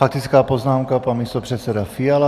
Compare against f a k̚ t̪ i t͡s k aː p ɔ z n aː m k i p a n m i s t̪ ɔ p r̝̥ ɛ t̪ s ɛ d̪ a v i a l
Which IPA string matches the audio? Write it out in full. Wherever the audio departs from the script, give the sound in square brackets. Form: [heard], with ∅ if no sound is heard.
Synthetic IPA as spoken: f a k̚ t̪ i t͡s k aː p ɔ z n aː m k [a] p a n m i s t̪ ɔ p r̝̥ ɛ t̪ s ɛ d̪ a [f] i a l